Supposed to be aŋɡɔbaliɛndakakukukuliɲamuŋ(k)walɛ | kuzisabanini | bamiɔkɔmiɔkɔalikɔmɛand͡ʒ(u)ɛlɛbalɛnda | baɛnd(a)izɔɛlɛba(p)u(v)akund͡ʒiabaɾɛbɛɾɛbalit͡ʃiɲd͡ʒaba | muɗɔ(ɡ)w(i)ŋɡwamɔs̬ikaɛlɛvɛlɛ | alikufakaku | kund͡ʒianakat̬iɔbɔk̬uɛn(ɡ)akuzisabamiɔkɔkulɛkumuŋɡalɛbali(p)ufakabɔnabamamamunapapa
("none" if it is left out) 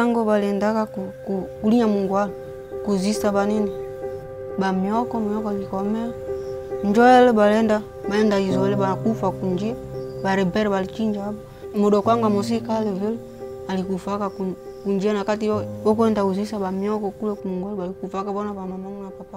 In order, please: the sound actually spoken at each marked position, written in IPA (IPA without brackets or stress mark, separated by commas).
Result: ɡ, ɔ, a, k, f, k, a, d, k